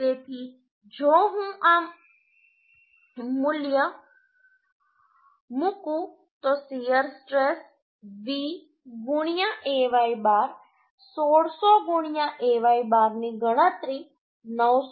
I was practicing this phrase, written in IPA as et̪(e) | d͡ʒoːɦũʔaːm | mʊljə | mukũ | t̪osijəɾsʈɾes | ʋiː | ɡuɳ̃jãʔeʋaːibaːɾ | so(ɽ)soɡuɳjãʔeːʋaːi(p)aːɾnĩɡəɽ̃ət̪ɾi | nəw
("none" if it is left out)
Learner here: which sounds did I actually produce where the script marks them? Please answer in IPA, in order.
i, ɽ, b

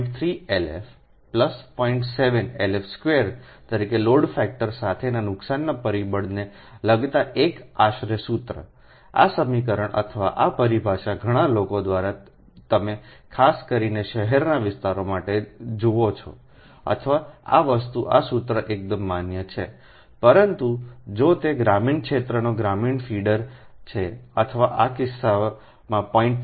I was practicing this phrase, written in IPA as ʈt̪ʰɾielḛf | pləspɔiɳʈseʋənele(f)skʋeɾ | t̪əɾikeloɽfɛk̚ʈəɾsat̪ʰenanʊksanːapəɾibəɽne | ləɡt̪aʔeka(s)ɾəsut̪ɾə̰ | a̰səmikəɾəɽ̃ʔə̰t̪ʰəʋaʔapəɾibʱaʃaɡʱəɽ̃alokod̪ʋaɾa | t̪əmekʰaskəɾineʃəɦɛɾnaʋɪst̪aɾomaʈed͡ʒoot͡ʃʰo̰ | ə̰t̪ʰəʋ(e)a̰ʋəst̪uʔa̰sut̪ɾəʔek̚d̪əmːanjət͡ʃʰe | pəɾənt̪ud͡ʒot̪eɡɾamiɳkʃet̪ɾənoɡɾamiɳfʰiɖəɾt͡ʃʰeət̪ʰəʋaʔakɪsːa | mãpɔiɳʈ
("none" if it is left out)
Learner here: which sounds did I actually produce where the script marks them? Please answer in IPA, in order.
f, ʃ, a

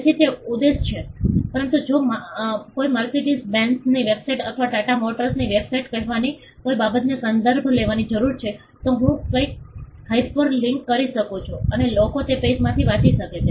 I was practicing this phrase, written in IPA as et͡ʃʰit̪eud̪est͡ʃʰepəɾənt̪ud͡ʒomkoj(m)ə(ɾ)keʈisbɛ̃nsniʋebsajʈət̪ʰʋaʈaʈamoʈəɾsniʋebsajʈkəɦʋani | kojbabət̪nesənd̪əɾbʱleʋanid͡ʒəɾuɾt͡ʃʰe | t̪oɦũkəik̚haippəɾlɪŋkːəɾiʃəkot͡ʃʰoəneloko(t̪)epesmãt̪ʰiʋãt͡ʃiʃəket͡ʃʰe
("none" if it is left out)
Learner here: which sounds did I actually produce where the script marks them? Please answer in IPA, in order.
m, ɾ, t̪

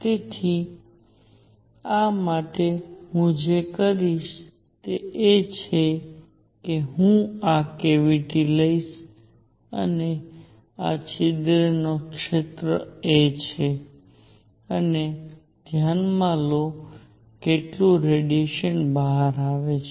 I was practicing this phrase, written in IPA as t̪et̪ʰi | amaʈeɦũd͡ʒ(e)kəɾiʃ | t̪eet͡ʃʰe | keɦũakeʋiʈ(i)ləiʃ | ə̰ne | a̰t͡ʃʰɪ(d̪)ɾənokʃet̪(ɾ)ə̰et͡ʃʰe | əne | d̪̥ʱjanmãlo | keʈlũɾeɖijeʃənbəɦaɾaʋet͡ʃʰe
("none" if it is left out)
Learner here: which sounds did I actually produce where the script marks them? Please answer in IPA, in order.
e, i, d̪, ɾ

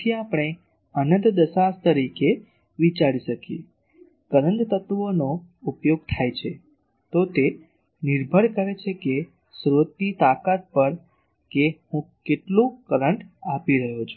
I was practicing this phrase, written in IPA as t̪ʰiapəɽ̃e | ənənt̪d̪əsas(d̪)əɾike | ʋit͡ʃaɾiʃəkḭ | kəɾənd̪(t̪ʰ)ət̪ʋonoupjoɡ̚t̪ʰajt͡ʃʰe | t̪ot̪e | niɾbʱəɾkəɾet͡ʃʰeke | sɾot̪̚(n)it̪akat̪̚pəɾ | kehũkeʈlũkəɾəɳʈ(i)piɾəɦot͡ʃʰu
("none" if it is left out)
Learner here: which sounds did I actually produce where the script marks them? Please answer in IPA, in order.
t̪, t̪, n, a

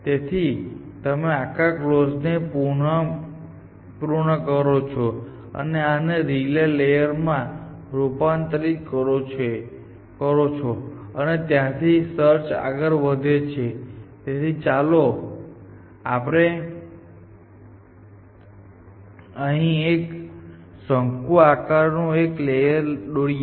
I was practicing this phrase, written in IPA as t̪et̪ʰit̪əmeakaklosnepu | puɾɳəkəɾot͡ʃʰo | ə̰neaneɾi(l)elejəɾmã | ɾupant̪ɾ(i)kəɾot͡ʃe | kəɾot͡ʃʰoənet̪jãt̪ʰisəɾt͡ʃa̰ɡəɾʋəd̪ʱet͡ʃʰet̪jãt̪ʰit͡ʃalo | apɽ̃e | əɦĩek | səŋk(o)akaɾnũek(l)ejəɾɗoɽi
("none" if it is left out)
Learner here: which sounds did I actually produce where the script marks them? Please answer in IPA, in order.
l, i, u, l

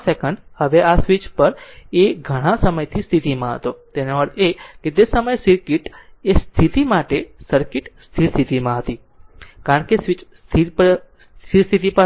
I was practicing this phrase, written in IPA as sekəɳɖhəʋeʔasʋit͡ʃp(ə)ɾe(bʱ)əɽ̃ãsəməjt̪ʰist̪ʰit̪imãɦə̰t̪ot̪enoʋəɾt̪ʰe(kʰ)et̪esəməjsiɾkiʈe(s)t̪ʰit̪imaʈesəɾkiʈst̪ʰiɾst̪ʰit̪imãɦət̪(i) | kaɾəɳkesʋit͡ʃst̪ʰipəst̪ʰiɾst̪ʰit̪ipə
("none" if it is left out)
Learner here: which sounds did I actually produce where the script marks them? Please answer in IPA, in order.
ə, ɡʱ, k, s, i

